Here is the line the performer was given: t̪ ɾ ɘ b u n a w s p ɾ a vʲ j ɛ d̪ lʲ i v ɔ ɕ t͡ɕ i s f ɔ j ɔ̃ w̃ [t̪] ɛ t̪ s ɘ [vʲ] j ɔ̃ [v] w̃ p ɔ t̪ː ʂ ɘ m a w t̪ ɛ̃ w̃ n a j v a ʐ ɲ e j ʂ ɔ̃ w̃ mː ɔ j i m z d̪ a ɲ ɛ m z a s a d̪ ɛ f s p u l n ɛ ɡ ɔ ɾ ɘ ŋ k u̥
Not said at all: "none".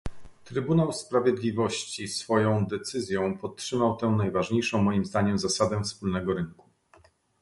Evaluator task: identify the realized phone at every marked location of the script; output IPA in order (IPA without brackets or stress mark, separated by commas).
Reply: d̪, zʲ, none